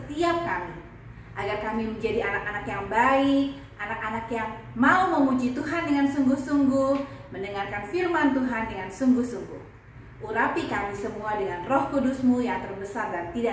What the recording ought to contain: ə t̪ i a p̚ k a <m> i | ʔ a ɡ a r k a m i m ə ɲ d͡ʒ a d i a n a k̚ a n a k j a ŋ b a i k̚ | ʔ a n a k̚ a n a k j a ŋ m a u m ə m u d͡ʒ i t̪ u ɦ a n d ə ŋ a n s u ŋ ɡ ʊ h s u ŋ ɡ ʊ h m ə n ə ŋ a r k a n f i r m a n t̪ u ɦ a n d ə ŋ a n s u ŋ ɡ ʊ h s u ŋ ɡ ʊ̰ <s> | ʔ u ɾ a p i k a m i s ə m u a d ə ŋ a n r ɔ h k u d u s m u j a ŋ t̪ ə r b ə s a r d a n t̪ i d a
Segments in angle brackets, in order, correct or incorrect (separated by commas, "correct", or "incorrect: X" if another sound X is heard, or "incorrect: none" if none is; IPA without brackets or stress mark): correct, incorrect: h